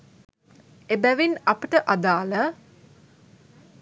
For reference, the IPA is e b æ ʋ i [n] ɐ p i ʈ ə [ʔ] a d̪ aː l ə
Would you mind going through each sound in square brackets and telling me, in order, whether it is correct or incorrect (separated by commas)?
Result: correct, correct